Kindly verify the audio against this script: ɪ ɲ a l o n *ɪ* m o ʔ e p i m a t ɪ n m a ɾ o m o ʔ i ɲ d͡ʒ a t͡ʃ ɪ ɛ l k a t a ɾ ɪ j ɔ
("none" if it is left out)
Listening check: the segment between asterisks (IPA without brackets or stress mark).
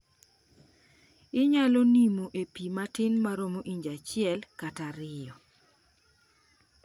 i